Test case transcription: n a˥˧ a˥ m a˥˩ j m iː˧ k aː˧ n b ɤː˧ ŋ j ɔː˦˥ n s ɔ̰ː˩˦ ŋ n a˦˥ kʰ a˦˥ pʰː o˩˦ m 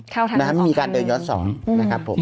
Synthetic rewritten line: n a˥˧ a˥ m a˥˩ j m iː˧ k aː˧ n d ɤː˧ n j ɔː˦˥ n s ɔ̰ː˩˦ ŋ n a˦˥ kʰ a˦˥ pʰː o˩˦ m